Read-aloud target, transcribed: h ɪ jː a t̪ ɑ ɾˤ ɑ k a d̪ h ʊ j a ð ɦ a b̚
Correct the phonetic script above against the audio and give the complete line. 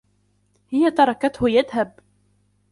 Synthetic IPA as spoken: h ɪ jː a t̪ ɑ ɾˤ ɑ k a t̪ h ʊ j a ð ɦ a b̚